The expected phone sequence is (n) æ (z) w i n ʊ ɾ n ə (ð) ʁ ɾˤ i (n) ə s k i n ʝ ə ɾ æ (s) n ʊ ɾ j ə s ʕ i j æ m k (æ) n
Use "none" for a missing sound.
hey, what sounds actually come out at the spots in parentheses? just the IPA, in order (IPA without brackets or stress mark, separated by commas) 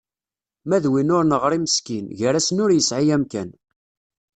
m, ð, none, m, s, æ